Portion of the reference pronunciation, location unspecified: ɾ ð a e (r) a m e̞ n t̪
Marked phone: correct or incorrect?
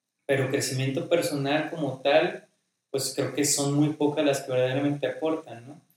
incorrect